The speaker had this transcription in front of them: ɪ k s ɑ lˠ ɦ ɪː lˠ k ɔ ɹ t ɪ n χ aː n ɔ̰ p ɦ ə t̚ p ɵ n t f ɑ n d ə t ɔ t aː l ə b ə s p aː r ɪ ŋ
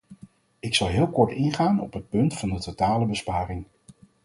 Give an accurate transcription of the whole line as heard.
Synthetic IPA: ɪ k s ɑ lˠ ɦ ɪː lˠ k ɔ ɹ t ɪ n χ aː n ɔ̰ p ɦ ə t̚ p ɵ n t f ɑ n d ə t o t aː l ə b ə s p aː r ɪ ŋ